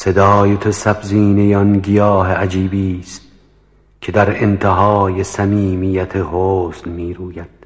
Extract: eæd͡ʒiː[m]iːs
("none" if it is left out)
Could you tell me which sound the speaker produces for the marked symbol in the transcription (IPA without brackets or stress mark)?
b